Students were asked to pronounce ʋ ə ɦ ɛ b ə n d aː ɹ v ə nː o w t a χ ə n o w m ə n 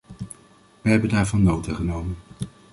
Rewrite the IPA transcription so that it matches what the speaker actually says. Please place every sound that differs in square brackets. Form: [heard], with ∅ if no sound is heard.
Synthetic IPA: ʋ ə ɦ ɛ b ə n d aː ɹ v [ɑ] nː o w t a χ ə n o w m ə n